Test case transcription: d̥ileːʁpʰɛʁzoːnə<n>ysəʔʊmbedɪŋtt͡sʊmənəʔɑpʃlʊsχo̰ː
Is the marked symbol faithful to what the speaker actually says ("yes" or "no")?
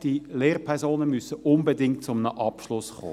no